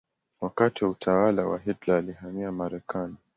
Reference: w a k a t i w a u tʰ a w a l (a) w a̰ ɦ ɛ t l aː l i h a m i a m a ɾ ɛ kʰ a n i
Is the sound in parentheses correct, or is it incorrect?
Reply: correct